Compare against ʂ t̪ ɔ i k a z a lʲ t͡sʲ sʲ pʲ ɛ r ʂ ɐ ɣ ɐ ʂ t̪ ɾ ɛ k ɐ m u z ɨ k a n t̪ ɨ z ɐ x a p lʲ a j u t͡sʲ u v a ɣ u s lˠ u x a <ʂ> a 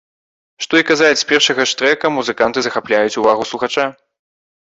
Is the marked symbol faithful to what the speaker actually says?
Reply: no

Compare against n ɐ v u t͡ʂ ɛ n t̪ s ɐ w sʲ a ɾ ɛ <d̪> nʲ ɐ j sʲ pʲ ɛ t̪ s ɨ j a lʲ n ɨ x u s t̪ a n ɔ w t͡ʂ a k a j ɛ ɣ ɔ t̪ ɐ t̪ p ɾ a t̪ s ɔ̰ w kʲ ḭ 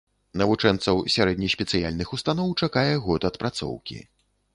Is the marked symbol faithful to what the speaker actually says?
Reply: yes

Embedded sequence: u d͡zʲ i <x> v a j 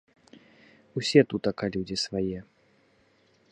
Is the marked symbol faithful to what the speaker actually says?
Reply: no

